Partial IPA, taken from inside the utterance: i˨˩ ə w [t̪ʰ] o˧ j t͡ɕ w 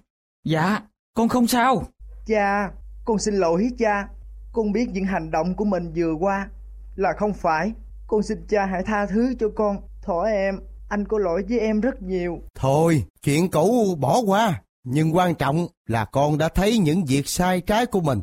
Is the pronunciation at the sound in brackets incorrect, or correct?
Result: correct